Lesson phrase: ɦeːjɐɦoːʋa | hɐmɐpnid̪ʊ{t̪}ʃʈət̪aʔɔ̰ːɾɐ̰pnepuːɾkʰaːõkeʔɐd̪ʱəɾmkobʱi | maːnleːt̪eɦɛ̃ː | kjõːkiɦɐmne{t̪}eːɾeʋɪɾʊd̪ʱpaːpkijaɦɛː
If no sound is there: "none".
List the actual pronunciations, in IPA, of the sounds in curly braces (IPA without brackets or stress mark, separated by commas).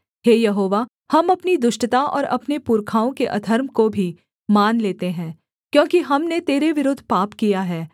none, t̪